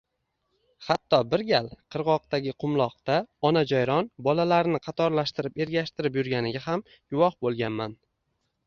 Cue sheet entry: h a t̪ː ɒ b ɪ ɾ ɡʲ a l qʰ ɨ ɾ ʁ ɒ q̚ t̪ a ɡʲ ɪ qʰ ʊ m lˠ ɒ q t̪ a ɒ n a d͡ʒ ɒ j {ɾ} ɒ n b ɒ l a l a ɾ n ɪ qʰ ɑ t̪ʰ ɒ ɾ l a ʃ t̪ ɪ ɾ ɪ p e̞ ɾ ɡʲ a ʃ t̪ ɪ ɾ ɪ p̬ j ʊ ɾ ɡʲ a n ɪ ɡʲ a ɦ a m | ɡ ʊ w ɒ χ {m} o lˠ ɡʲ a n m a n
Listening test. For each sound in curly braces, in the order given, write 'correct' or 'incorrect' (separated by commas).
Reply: correct, incorrect